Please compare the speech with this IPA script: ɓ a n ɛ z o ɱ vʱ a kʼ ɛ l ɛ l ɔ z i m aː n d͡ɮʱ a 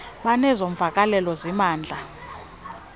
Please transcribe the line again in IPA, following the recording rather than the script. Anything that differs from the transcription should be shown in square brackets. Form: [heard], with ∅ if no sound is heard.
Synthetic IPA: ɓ a n ɛ z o ɱ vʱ a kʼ [a] l ɛ l ɔ z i m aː n d͡ɮʱ a